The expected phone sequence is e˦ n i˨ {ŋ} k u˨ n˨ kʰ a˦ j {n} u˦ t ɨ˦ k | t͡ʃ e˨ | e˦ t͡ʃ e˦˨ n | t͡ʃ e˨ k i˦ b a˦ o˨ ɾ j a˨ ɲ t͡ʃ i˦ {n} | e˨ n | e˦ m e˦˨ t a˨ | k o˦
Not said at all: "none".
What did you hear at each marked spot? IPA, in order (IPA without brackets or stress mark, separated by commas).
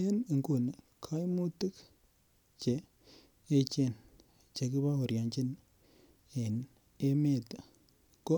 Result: ŋ, m, n